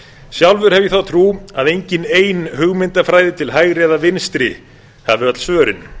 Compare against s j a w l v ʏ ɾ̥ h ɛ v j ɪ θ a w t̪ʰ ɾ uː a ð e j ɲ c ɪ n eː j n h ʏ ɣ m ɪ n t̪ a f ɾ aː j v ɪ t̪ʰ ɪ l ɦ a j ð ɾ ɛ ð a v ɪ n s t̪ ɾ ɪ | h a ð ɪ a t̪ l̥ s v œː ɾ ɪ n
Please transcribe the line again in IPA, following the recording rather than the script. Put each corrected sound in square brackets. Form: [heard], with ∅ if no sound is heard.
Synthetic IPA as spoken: s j a w l v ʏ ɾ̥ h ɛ v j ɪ θ a w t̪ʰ ɾ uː a ð e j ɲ c ɪ n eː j n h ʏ ɣ m ɪ n t̪ a f ɾ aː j [ð] ɪ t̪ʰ ɪ l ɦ a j [ɣ] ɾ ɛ ð a v ɪ n s t̪ ɾ ɪ | h a [v] ɪ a t̪ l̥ s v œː ɾ ɪ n